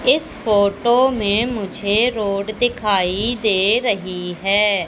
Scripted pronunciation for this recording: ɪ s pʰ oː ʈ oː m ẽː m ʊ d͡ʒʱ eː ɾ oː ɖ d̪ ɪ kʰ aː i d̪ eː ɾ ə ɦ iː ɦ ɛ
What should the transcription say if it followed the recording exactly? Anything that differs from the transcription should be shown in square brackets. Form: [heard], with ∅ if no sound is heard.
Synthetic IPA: ɪ s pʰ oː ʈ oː m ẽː m ʊ d͡ʒʱ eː ɾ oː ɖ d̪ ɪ kʰ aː i d̪ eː ɾ ə ɦ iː ɦ [ɛː]